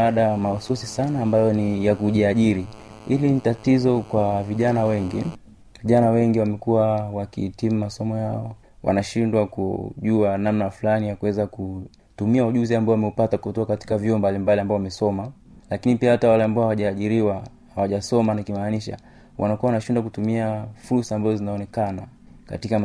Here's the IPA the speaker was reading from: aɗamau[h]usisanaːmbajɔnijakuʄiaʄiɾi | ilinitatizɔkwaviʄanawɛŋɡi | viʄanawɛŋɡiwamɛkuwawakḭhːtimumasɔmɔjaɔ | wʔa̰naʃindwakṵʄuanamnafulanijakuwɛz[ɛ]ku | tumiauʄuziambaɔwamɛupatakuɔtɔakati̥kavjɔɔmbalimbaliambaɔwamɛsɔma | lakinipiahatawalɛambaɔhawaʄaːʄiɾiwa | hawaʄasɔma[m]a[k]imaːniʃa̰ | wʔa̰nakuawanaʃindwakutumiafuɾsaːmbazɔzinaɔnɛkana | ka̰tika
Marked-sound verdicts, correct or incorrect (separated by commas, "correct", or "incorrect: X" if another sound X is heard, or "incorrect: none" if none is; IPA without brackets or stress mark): incorrect: s, incorrect: a, incorrect: n, correct